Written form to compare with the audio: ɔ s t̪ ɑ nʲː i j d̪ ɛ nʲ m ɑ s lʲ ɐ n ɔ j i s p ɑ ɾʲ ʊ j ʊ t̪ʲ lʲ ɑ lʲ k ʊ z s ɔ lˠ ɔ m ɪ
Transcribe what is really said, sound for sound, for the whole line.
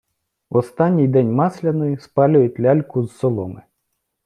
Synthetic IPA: ɔ s t̪ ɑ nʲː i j d̪ ɛ nʲ m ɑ s lʲ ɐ n ɔ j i s p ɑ lʲ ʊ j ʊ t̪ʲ lʲ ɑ lʲ k ʊ z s ɔ lˠ ɔ m ɪ